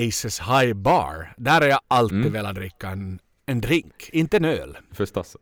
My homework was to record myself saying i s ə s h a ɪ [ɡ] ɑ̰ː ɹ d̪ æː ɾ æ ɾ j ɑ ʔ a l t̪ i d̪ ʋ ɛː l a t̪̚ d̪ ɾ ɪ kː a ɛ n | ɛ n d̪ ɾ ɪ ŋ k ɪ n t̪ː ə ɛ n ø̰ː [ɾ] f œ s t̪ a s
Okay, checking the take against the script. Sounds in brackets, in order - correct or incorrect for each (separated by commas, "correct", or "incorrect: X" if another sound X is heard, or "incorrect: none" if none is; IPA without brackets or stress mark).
incorrect: b, incorrect: l